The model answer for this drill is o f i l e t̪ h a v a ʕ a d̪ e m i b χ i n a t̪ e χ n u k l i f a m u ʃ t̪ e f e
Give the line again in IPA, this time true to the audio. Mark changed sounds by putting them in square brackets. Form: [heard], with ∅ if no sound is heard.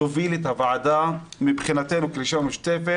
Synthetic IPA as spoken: o [v] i l e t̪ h a v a ʕ a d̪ [a] m i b χ i n a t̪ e [∅] n u k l i [ʃ] a m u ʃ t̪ e f e